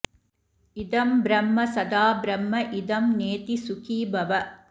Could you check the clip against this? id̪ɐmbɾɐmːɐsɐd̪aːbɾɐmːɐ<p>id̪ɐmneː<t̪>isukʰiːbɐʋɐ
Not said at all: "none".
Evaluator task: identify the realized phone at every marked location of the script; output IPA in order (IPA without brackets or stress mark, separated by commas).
ʔ, t̪